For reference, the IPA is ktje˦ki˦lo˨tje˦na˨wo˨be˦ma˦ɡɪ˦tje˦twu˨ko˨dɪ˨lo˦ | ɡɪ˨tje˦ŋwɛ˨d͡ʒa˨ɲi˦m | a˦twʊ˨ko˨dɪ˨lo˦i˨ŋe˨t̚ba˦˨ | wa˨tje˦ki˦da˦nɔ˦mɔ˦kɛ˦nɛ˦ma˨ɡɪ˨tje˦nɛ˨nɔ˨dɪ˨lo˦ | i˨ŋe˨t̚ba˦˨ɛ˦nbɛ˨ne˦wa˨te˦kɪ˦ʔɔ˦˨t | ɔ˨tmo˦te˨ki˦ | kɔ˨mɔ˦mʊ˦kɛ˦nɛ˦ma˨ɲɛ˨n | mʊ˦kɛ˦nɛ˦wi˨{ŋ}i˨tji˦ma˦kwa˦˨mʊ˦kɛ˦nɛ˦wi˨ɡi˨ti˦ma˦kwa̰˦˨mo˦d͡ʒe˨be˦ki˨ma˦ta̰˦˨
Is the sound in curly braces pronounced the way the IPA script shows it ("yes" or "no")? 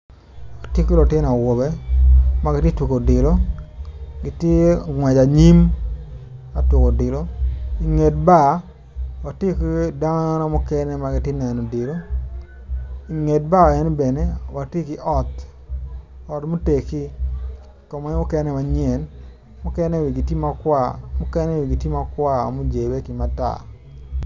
no